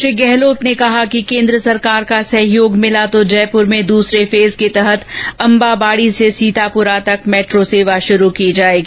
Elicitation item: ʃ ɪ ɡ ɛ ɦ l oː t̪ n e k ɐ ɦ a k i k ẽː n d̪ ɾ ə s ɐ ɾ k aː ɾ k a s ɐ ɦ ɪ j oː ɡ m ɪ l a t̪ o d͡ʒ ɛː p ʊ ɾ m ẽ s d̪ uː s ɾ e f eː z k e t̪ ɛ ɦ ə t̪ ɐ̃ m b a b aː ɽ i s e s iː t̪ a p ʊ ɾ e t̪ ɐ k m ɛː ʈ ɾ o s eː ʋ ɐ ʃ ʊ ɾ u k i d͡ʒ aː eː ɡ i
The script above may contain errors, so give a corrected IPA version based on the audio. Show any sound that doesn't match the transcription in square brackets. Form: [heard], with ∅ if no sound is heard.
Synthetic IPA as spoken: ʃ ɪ ɡ ɛ ɦ l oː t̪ n e k ɐ ɦ a k i k ẽː n d̪ ɾ ə s ɐ ɾ k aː ɾ k a s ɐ ɦ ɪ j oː ɡ m ɪ l a t̪ o d͡ʒ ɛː p ʊ ɾ m ẽ [∅] d̪ uː s ɾ e f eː z k e t̪ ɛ ɦ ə t̪ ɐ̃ m b a b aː ɽ i s e s iː t̪ a p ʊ ɾ [a] t̪ ɐ k m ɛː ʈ ɾ o s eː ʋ [a] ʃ ʊ ɾ u k i d͡ʒ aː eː ɡ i